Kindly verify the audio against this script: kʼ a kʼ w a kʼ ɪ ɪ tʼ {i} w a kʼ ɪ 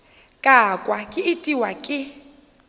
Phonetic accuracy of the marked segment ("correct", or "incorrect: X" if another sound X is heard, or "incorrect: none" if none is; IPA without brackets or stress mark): correct